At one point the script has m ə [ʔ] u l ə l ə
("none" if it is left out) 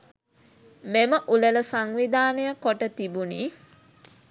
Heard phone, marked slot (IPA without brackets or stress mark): ʔ